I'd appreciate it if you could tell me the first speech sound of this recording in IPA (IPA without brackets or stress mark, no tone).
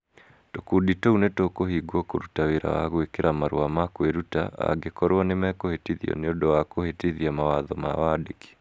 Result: t